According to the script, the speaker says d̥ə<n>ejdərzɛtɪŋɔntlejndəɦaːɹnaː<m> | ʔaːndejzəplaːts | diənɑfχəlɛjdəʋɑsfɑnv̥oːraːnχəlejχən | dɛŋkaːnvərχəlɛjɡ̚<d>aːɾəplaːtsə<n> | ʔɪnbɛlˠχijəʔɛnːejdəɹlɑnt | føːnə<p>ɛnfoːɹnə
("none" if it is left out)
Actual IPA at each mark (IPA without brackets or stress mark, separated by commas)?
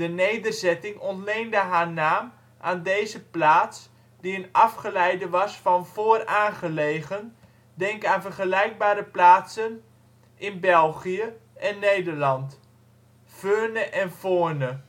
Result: n, m, b, n, ʔ